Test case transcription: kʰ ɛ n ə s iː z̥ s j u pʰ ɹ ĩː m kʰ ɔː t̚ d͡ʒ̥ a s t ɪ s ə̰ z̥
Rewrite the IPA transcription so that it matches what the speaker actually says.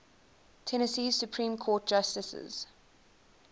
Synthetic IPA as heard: tʰ ɛ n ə s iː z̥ s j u pʰ ɹ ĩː m kʰ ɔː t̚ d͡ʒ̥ a s t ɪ s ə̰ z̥